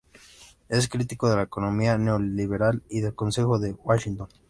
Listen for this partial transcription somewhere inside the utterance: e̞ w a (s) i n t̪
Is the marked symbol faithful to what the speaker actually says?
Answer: no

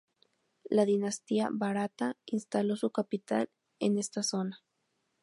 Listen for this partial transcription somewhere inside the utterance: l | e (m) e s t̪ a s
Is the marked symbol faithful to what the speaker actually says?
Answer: no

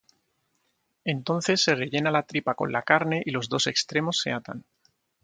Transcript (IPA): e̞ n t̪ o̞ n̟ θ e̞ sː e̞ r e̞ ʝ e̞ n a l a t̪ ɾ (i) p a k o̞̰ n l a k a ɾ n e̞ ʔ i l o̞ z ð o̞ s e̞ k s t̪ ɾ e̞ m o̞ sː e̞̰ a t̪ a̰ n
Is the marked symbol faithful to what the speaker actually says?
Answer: yes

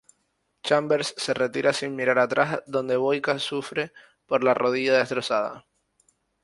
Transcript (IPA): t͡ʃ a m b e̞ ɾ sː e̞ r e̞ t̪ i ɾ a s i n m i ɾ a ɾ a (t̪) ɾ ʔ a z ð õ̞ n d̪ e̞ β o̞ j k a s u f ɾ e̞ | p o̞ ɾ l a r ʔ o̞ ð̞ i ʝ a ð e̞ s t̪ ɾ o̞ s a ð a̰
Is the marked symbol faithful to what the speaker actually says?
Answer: yes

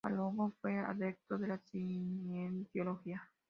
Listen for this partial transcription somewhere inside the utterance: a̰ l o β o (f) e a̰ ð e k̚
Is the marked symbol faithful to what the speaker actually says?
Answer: yes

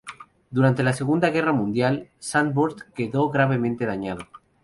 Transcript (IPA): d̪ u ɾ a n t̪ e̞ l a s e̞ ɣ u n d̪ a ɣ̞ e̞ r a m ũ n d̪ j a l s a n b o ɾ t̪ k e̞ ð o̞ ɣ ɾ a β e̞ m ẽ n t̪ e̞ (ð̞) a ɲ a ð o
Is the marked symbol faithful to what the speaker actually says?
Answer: yes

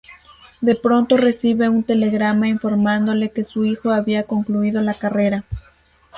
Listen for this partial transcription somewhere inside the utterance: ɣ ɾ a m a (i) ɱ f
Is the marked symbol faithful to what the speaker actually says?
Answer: yes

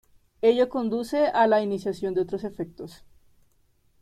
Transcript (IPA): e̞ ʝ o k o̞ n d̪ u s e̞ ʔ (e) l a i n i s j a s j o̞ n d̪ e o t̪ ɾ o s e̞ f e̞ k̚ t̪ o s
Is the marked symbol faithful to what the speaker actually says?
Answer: no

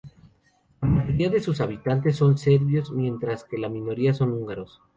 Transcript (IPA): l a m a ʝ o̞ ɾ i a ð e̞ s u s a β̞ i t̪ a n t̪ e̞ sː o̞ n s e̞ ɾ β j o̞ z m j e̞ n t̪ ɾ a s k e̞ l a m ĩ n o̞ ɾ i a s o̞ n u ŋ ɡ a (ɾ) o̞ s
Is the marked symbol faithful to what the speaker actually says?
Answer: yes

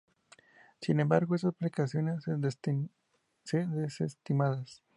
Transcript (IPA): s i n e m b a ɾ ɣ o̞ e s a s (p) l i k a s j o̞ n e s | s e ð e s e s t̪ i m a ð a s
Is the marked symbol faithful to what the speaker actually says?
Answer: yes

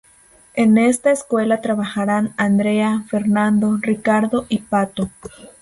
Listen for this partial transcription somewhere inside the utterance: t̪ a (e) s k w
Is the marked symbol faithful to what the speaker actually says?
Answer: yes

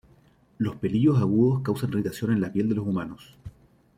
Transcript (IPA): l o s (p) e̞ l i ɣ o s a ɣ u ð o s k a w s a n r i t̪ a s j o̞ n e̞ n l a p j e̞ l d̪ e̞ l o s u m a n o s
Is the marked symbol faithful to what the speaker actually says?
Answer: yes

